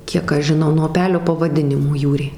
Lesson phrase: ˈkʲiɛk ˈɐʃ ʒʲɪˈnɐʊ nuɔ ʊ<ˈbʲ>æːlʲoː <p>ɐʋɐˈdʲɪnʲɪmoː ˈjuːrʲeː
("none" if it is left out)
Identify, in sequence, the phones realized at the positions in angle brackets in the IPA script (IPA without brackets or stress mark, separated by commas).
pʲ, p